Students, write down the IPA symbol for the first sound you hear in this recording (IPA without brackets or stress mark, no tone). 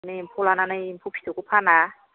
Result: n